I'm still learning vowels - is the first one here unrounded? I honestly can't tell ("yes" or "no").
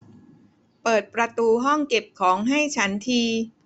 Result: yes